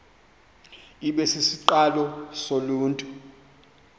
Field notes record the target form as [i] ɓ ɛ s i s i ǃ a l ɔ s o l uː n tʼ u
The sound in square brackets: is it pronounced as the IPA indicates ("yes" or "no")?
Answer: yes